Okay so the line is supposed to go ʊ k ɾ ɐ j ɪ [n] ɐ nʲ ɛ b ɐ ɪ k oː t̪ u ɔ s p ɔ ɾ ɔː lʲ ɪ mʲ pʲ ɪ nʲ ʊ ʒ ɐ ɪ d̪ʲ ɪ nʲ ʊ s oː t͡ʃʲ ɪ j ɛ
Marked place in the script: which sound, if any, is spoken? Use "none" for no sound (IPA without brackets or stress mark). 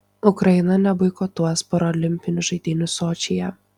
n